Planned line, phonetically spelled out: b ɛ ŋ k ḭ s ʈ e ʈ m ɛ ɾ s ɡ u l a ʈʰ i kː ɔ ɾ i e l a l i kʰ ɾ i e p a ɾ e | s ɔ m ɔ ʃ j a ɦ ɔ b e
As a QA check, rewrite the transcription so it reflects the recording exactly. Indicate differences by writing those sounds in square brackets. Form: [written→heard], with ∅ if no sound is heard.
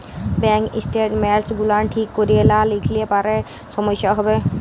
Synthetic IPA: b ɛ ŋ k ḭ s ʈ e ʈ m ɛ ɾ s ɡ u l a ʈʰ i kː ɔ ɾ i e l a l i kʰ [ɾ→l] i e p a ɾ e | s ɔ m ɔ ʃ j a ɦ ɔ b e